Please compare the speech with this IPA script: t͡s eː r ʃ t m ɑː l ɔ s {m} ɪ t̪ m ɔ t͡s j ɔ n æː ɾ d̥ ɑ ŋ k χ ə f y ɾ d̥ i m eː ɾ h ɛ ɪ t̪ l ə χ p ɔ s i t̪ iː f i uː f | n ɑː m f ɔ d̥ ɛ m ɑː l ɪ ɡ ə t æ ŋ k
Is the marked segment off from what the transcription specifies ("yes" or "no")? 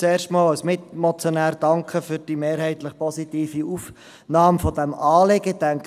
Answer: no